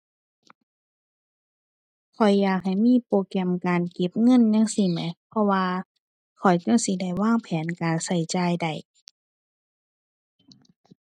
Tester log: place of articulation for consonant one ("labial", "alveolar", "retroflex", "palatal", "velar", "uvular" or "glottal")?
velar